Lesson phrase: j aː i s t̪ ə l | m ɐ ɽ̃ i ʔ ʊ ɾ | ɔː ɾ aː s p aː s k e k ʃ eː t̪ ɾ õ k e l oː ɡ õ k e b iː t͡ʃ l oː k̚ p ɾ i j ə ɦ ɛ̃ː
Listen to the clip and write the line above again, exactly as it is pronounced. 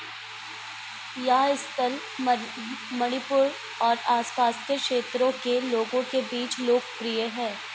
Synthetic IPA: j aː ɪ s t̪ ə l | m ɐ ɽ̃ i p ʊ ɾ | ɔː ɾ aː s p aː s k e k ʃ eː t̪ ɾ õ k e l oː ɡ õ k e b iː t͡ʃ l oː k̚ p ɾ i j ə ɦ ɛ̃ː